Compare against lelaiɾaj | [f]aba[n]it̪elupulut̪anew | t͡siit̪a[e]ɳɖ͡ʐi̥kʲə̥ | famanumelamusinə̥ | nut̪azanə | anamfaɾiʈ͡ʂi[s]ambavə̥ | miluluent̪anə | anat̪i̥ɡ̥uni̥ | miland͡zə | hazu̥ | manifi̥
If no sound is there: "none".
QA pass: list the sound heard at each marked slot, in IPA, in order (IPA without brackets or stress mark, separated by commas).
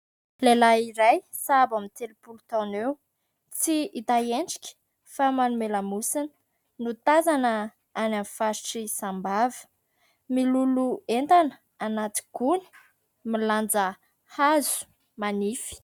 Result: s, m, e, s